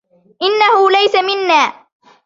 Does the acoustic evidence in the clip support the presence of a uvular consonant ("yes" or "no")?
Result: no